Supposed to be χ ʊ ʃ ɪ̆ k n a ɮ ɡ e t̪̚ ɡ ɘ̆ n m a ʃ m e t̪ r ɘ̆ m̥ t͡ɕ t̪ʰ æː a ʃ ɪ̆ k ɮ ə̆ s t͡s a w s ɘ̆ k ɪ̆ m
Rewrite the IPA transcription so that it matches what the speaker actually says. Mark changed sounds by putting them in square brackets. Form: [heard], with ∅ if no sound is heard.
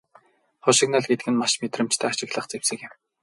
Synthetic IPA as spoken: χ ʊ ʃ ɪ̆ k n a ɮ ɡ e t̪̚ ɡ ɘ̆ n m a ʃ m e t̪ r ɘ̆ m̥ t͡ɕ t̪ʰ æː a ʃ ɪ̆ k ɮ ə̆ [χ] t͡s [e] w s ɘ̆ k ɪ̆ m